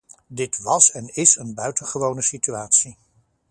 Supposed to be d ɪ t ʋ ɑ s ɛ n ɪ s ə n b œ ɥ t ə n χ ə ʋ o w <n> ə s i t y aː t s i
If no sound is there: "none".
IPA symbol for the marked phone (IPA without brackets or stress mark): n